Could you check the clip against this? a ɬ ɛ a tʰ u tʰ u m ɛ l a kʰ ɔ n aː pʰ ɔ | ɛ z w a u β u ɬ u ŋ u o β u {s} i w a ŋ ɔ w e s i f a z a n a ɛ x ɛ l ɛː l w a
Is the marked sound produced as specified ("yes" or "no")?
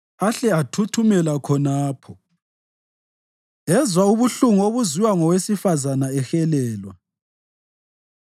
no